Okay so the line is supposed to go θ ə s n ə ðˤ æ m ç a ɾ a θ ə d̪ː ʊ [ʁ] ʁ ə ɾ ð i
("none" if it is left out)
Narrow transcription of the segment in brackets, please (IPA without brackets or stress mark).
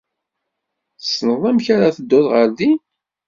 ð